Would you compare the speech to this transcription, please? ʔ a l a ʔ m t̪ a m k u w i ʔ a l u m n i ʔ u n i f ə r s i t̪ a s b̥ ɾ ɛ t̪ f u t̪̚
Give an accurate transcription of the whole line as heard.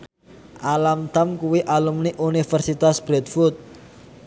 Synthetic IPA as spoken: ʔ a l a m t̪ a m k u w i ʔ a l u m n i ʔ u n i f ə r s i t̪ a s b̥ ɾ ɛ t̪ f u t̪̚